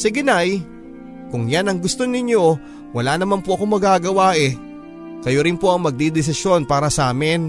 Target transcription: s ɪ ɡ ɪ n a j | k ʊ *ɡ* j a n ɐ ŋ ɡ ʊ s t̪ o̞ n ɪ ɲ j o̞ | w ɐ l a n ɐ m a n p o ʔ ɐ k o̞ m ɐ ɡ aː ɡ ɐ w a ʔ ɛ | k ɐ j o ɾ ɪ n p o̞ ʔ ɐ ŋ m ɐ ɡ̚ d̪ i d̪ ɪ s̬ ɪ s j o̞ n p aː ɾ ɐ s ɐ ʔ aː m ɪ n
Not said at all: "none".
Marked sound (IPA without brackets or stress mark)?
ŋ